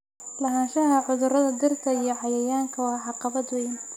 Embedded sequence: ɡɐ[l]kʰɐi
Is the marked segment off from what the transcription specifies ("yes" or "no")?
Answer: yes